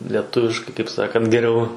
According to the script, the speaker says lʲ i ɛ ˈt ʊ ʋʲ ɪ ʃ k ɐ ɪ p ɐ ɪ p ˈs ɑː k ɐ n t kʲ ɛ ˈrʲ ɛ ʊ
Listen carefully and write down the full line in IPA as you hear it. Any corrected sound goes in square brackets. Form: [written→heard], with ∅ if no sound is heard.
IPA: lʲ i ɛ ˈt ʊ ʋʲ ɪ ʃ k ɐ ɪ [p→k] ɐ ɪ p ˈs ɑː k ɐ n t [kʲ→ɡʲ] ɛ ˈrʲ ɛ ʊ